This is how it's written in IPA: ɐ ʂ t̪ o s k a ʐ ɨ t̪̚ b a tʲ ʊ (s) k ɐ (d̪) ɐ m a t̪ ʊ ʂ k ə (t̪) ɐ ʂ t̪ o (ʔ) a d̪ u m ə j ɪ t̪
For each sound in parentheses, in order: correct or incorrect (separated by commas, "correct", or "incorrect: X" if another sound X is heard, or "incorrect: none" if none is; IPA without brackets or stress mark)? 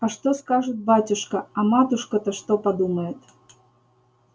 incorrect: ʂ, incorrect: none, correct, incorrect: p